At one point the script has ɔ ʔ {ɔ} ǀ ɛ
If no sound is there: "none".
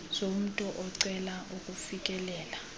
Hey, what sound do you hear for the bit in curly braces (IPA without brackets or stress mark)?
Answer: ɔ